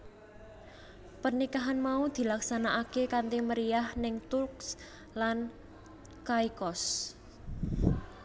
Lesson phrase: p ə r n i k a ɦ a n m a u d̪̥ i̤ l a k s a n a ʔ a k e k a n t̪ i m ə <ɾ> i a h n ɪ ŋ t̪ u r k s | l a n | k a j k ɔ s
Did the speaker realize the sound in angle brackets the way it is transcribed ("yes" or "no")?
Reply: yes